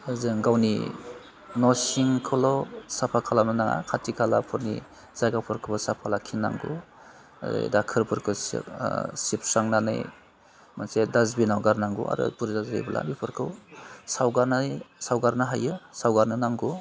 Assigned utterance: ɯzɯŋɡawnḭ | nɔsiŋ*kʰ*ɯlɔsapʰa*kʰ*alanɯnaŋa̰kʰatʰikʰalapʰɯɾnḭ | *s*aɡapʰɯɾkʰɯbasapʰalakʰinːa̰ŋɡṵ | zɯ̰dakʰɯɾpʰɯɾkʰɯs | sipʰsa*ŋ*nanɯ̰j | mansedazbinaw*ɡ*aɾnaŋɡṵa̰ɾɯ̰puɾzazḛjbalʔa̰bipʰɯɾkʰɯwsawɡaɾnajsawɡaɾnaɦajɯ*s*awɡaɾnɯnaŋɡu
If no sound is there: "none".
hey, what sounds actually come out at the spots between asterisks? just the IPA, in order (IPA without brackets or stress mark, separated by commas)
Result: kʰ, kʰ, z, ŋ, ɡ, s